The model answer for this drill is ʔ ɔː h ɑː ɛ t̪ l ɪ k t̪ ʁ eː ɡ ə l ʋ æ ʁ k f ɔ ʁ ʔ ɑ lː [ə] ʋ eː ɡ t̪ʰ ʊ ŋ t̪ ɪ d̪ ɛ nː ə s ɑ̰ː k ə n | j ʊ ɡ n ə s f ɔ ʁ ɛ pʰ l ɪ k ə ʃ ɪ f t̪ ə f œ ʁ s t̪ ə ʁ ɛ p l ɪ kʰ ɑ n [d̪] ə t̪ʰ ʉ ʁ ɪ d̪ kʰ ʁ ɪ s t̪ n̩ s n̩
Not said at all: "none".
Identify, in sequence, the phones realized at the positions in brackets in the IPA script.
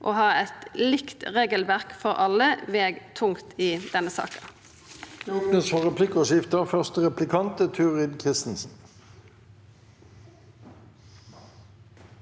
ə, t̪

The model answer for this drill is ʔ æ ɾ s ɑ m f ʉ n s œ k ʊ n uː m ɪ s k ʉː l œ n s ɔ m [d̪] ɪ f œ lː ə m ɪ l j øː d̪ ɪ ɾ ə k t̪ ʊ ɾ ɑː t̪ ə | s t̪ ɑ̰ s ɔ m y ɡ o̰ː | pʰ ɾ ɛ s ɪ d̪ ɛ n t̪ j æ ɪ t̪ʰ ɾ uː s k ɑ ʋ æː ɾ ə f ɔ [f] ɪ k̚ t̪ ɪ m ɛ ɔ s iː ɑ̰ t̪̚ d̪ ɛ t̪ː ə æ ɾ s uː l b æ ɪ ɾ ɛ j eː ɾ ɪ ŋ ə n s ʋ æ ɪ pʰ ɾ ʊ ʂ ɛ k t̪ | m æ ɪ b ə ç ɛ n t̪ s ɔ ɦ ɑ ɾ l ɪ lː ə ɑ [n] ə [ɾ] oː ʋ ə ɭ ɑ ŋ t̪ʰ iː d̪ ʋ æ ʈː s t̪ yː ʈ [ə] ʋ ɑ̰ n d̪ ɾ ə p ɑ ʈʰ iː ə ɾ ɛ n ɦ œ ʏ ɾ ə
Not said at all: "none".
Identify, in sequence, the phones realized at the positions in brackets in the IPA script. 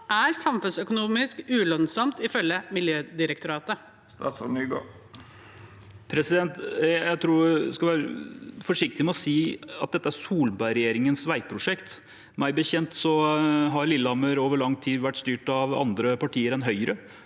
t̪, ʂ, m, ɾ, ɑ

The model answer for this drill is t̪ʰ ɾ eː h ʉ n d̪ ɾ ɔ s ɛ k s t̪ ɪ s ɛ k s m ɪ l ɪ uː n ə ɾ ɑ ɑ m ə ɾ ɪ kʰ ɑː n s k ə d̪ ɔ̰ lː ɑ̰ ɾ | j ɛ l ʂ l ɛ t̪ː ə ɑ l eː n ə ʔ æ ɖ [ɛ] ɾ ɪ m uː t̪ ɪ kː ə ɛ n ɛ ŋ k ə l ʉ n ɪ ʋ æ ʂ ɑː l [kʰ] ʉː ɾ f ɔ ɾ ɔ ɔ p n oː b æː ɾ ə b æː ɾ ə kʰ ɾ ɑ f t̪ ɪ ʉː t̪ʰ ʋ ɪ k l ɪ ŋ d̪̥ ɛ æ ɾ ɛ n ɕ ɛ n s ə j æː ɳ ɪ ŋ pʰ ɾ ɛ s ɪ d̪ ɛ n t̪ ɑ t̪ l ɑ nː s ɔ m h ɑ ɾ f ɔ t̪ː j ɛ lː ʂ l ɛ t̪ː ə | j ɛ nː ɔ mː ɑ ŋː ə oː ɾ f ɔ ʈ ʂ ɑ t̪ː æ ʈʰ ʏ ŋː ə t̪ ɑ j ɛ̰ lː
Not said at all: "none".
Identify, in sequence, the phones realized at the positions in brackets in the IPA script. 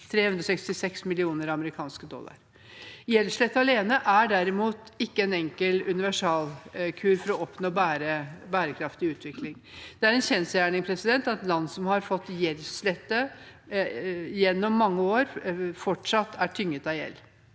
æ, kʰ

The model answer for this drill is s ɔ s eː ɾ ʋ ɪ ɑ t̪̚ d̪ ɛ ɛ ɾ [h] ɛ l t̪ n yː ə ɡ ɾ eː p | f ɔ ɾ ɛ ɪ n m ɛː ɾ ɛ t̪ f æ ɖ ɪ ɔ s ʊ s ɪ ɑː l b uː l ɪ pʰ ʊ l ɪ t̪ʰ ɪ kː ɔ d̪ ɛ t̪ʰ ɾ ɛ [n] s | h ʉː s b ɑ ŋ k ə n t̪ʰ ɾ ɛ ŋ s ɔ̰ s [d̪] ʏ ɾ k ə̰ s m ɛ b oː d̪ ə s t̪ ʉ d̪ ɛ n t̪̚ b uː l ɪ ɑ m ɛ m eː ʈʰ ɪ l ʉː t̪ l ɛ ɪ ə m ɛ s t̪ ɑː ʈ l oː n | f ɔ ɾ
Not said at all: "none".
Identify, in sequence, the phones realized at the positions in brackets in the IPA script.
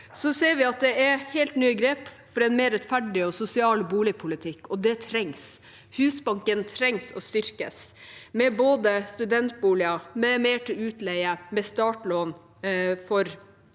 h, ŋ, t̪

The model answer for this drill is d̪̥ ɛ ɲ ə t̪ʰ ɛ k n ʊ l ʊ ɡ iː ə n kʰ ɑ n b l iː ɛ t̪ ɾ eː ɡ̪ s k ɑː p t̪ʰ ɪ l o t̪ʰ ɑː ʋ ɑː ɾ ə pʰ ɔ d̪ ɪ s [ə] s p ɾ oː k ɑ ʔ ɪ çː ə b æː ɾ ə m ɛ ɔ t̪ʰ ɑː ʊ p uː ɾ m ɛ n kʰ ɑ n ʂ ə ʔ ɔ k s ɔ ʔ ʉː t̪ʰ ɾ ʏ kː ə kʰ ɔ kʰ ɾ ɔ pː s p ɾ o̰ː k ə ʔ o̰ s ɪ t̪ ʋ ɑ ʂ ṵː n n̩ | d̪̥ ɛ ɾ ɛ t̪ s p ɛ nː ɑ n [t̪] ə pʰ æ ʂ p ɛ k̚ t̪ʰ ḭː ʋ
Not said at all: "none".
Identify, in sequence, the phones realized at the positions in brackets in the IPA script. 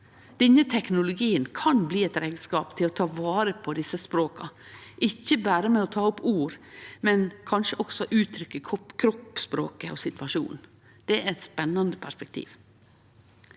ə, d̪

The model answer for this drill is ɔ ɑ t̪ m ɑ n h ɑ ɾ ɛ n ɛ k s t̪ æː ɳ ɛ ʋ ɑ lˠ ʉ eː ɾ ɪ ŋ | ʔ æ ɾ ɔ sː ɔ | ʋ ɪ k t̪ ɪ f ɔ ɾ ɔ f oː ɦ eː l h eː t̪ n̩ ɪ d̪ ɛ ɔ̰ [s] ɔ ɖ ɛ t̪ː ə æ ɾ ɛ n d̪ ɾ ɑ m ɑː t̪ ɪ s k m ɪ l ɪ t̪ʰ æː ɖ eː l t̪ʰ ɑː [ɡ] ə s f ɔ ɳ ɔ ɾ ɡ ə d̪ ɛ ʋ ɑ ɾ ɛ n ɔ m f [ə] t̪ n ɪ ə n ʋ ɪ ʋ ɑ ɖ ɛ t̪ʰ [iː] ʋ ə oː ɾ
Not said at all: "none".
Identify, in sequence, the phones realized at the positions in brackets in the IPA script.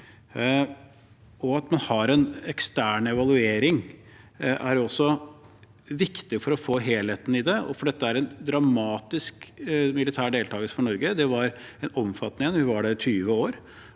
f, ɡ, ɑ, yː

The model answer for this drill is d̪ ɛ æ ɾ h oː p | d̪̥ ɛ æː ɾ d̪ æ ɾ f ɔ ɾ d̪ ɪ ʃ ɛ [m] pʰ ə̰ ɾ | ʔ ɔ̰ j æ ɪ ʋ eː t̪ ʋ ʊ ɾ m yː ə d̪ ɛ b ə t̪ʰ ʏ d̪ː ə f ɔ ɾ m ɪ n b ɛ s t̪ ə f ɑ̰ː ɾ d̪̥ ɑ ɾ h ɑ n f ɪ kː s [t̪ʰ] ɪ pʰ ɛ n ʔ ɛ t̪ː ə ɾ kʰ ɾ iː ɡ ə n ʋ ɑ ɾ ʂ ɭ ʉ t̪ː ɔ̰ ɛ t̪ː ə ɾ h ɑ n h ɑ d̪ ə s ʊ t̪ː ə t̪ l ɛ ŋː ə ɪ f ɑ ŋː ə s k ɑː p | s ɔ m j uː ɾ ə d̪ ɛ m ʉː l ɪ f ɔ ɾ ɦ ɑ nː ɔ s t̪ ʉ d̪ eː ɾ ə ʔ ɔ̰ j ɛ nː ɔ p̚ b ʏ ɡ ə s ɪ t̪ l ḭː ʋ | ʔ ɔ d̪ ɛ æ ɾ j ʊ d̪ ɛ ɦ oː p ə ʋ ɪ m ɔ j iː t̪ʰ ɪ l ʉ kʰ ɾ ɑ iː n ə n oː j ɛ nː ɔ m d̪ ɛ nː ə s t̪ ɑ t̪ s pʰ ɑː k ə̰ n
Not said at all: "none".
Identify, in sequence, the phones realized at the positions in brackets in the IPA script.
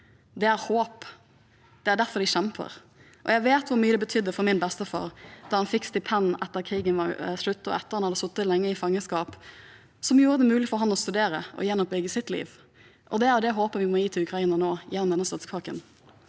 m, t̪

